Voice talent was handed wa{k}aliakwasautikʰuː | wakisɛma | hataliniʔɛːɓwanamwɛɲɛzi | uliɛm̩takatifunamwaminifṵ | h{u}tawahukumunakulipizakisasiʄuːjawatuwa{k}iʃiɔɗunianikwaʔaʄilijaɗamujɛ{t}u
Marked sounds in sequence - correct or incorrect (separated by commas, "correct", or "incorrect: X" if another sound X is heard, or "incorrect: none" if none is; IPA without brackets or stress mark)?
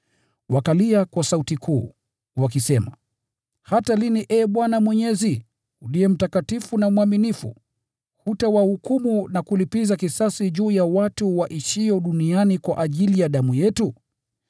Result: correct, correct, incorrect: ʔ, correct